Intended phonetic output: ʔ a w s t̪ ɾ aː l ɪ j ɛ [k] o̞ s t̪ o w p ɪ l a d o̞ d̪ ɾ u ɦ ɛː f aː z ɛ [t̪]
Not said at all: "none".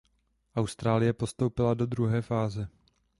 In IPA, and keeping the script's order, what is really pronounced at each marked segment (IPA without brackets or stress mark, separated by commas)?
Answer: p, none